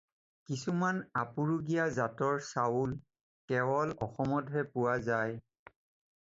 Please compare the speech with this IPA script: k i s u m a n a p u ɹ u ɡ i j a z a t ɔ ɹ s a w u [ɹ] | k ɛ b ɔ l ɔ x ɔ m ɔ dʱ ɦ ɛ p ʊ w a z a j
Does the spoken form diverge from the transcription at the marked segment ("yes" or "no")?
yes